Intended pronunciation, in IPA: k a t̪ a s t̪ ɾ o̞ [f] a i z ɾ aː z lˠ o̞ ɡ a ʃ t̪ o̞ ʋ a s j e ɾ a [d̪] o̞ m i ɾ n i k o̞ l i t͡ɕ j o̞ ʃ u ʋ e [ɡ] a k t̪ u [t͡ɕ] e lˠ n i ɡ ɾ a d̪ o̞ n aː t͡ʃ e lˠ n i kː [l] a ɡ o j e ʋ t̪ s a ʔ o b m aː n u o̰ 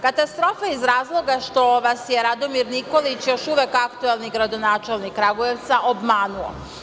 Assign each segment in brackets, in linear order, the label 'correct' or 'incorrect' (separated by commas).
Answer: correct, correct, incorrect, incorrect, incorrect